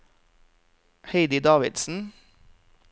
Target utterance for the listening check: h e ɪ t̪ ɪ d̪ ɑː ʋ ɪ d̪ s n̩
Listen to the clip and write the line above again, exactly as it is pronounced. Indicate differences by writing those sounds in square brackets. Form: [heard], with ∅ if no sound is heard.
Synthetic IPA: h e ɪ [d̪] ɪ d̪ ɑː ʋ ɪ d̪ s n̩